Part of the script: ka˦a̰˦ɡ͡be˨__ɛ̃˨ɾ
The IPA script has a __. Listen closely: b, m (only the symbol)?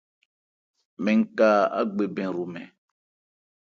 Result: b